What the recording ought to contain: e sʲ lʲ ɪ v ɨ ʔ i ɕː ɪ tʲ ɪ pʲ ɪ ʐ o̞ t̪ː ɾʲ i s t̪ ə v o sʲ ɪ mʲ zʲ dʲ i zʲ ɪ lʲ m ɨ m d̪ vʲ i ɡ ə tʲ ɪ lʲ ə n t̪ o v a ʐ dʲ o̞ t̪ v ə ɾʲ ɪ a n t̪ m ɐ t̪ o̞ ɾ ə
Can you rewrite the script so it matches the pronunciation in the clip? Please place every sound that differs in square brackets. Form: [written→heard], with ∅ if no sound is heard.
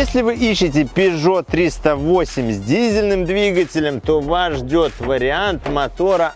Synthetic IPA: e sʲ lʲ ɪ v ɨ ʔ i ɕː ɪ tʲ ɪ pʲ ɪ ʐ o̞ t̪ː ɾʲ i s t̪ ə v o sʲ ɪ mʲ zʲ dʲ i zʲ ɪ lʲ [m→n] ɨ m d̪ vʲ i ɡ ə tʲ ɪ lʲ ə [n→m] t̪ o v a ʐ dʲ o̞ t̪ v ə ɾʲ ɪ a n t̪ m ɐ t̪ o̞ ɾ ə